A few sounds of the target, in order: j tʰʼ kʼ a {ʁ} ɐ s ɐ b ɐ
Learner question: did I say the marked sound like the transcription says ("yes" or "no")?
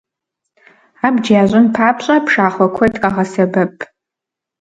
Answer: yes